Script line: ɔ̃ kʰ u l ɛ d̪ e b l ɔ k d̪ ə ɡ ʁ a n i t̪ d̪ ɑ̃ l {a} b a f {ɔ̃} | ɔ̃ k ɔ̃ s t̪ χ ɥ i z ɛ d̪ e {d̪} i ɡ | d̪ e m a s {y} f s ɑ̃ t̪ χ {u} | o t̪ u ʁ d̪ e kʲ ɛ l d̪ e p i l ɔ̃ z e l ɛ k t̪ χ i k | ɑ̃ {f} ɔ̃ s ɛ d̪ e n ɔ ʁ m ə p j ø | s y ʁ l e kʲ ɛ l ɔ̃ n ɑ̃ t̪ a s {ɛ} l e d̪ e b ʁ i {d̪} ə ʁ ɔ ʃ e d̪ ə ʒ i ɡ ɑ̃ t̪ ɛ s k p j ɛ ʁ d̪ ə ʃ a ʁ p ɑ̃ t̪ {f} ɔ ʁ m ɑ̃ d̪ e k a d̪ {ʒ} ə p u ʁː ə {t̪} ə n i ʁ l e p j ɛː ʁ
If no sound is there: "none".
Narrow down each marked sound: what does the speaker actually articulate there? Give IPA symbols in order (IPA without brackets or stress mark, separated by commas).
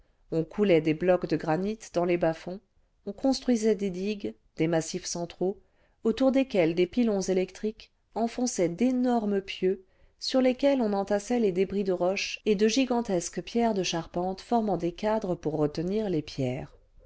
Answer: e, ɔ̃, d̪, i, o, f, ɛ, d̪, f, ʁ, t̪